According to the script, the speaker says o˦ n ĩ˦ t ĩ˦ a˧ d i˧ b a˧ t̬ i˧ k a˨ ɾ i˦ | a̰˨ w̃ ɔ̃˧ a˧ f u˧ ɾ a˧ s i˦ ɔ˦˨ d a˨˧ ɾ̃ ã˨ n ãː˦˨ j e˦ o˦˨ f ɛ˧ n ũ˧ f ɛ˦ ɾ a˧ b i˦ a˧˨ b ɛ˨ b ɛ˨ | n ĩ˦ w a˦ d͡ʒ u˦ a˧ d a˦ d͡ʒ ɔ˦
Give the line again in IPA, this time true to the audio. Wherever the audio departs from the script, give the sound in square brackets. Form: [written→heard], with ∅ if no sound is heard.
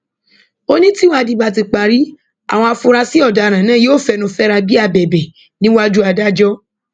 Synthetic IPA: o˦ n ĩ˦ t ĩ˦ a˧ d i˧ b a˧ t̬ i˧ [k→k͡p] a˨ ɾ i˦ | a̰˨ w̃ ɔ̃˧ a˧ f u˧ ɾ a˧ s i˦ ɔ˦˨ d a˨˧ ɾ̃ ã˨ n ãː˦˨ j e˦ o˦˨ f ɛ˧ n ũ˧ f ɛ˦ ɾ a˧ b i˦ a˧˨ b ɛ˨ b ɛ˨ | n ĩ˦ w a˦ d͡ʒ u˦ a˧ d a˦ d͡ʒ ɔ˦